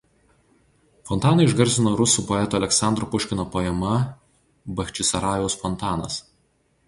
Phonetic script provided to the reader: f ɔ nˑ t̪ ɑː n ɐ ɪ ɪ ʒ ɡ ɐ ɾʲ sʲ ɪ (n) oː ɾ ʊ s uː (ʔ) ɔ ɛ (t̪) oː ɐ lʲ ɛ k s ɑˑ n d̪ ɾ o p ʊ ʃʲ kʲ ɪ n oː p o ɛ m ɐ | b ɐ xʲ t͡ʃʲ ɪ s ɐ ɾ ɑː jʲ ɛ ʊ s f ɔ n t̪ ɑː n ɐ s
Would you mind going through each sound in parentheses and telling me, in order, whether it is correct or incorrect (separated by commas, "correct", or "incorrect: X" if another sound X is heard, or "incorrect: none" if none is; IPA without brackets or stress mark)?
correct, incorrect: p, correct